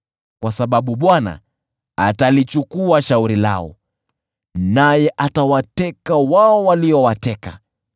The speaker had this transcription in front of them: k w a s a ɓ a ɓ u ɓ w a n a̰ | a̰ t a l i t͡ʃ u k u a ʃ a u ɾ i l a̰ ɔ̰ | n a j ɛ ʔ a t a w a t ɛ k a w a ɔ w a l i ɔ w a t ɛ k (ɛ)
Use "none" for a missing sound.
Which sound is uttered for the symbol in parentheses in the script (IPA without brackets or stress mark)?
a